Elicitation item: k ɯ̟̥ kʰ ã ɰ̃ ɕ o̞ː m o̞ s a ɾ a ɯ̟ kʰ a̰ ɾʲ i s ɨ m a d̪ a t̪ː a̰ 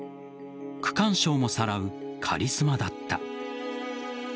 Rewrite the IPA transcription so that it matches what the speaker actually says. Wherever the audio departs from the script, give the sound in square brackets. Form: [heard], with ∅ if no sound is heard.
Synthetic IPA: k ɯ̟̥ [k] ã ɰ̃ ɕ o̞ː m o̞ s a ɾ a ɯ̟ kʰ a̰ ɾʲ i s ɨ m a d̪ a t̪ː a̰